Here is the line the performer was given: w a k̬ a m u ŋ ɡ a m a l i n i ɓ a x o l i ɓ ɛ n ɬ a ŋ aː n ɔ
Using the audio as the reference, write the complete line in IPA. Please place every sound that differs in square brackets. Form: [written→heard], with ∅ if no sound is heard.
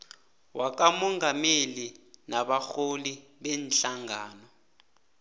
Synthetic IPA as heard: w a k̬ a m [u→ɔ] ŋ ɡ a m [a→e] l i n [i→a] ɓ a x o l i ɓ ɛ n ɬ a ŋ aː n ɔ